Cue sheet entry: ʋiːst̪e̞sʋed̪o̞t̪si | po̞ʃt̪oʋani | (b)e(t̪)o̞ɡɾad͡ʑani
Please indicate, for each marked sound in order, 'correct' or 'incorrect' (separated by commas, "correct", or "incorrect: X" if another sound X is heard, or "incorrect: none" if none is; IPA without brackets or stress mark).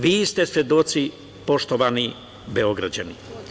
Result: correct, incorrect: none